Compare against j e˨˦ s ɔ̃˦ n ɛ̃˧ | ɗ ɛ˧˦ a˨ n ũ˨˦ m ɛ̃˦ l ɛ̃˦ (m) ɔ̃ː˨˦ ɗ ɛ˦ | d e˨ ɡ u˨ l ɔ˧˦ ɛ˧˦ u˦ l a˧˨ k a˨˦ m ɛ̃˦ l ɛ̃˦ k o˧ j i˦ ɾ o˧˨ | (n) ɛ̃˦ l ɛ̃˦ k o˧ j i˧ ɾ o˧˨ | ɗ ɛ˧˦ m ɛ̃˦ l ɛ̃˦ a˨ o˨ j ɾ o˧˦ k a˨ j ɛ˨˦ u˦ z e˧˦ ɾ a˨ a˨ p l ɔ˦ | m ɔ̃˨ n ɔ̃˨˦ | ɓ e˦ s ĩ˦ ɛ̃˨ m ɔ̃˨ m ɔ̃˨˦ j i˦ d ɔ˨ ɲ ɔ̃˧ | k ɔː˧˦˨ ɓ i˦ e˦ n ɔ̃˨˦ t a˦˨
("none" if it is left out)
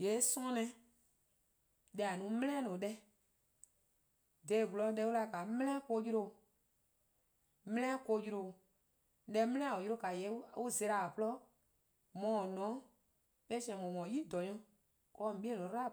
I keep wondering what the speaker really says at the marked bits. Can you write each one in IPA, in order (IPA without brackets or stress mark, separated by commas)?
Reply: n, m